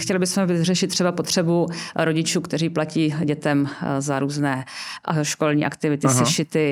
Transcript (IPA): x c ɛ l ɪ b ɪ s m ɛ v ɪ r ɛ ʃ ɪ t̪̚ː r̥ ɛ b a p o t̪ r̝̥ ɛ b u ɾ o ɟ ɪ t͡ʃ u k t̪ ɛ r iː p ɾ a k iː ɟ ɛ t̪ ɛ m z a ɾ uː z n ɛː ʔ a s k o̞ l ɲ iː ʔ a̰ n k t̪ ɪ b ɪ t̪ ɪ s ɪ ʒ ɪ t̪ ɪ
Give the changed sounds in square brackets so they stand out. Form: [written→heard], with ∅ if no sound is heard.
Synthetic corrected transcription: x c ɛ l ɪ b ɪ s m ɛ v ɪ r ɛ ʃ ɪ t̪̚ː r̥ ɛ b a p o t̪ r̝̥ ɛ b u ɾ o ɟ ɪ t͡ʃ [u→uː] k t̪ ɛ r iː p [ɾ→l] a [k→c] iː ɟ ɛ t̪ ɛ m z a ɾ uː z n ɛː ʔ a [s→ʃ] k o̞ l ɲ iː ʔ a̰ [n→∅] k t̪ ɪ [b→v] ɪ t̪ ɪ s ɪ [ʒ→ʃ] ɪ t̪ ɪ